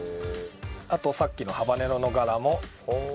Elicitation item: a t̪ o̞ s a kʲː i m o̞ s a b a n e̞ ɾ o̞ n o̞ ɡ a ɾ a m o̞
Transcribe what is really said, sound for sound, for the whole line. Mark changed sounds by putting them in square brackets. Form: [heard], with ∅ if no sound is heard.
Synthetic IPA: a t̪ o̞ s a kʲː i [n] o̞ [h] a b a n e̞ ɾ o̞ n o̞ ɡ a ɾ a m o̞